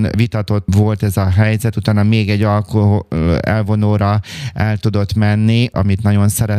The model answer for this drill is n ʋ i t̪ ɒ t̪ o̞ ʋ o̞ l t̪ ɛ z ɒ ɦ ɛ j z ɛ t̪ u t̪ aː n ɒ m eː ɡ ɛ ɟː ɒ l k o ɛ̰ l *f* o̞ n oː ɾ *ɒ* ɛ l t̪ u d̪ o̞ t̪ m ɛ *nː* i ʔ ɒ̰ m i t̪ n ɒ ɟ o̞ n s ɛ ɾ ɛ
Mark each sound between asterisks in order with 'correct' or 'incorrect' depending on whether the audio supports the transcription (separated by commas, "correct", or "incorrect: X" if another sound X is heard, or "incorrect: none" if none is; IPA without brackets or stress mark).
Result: incorrect: v, correct, correct